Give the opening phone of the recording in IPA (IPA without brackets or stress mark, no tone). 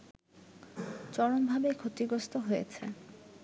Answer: t͡ɕ